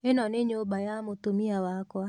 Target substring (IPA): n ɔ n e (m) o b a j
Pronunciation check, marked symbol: incorrect: ɲ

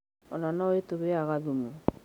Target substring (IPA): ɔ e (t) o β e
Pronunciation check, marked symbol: correct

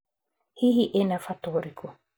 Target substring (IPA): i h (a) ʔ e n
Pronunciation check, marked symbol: incorrect: i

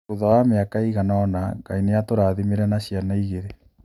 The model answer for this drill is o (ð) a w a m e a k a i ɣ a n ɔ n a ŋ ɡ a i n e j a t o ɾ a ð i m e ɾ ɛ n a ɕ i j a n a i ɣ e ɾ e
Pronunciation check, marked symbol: correct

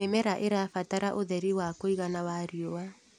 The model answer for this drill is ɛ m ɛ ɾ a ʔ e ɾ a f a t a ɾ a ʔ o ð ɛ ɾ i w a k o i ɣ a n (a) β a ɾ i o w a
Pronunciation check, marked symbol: correct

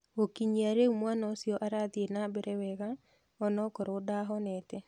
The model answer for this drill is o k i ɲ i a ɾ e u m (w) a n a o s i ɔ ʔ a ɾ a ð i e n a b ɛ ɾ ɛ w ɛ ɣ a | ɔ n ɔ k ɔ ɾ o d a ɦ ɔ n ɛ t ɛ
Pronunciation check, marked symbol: correct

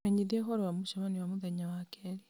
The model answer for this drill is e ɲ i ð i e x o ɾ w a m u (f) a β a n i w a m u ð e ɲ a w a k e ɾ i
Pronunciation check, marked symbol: incorrect: ʃ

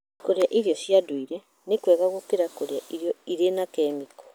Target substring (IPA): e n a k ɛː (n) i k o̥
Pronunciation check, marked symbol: incorrect: m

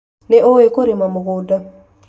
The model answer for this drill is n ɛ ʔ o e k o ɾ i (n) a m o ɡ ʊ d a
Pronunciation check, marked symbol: incorrect: m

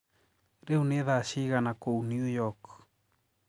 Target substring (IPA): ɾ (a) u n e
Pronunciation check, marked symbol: incorrect: e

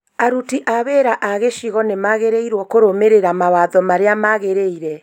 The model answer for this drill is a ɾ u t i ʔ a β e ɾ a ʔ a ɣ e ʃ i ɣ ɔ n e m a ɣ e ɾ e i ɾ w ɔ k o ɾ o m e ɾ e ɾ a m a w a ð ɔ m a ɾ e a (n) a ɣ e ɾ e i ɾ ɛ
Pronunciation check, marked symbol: incorrect: m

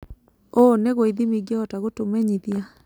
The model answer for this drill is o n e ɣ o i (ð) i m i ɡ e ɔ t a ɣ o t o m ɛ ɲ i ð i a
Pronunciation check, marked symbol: correct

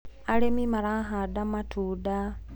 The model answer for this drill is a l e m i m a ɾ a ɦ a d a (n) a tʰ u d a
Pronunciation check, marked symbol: incorrect: m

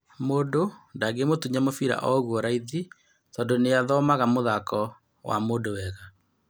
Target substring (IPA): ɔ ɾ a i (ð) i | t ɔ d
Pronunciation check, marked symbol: correct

